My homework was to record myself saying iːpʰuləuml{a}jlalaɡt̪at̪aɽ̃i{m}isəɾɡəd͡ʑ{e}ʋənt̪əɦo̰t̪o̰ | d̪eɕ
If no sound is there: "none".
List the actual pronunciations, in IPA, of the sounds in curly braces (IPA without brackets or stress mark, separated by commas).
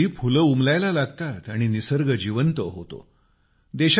a, n, i